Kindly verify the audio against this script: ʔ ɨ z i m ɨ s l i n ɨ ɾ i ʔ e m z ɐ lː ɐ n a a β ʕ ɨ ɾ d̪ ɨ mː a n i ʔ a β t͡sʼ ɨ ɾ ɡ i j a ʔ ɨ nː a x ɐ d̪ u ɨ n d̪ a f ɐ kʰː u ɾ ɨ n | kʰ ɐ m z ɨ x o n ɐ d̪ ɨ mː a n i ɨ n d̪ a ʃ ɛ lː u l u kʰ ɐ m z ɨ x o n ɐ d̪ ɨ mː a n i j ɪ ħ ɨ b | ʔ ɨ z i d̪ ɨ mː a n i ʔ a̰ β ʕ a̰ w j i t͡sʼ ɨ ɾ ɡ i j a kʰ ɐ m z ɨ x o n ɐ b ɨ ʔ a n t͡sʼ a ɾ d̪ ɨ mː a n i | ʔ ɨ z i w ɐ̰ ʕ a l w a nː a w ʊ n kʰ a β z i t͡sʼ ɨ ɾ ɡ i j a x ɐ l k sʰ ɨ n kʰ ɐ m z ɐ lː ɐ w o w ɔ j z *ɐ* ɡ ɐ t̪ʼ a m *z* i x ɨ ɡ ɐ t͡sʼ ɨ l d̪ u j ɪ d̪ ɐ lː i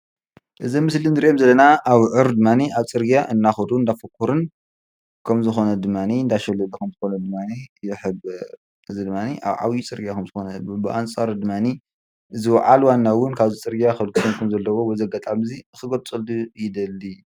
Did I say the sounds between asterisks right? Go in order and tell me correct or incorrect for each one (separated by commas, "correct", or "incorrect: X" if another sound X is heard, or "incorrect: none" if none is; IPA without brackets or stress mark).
correct, correct